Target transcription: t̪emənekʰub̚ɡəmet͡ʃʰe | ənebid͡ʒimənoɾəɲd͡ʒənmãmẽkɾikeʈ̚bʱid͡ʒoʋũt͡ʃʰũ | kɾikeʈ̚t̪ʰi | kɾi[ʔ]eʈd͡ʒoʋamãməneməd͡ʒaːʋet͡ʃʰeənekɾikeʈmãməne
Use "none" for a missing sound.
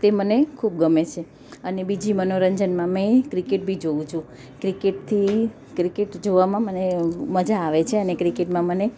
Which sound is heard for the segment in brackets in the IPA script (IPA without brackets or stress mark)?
k